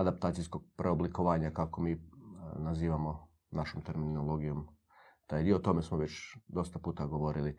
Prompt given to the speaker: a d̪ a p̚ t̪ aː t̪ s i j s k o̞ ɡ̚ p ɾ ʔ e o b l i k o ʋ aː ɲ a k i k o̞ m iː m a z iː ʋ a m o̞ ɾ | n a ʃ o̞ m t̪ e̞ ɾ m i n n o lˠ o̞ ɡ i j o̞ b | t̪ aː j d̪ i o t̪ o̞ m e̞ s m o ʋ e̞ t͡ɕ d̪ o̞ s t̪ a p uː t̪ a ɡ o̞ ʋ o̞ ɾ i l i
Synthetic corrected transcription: a d̪ a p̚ t̪ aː t̪ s i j s k o̞ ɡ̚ p ɾ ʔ e o b l i k o ʋ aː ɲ a k a k o̞ m iː n a z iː ʋ a m o̞ | n a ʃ o̞ m t̪ e̞ ɾ m i n n o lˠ o̞ ɡ i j o̞ m | t̪ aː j d̪ i o t̪ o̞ m e̞ s m o ʋ e̞ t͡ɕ d̪ o̞ s t̪ a p uː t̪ a ɡ o̞ ʋ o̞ ɾ i l i